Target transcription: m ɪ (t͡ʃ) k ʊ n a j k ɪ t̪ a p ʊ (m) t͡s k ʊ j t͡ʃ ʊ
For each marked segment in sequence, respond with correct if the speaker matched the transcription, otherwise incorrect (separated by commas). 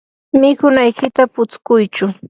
incorrect, incorrect